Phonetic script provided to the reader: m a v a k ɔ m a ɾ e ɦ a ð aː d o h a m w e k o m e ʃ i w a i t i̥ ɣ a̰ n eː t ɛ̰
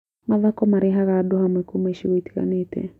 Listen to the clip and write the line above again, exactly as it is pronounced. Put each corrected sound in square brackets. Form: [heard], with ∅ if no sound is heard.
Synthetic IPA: m a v a k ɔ m a ɾ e ɦ a [ɣ] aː d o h a m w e k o m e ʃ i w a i t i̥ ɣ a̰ n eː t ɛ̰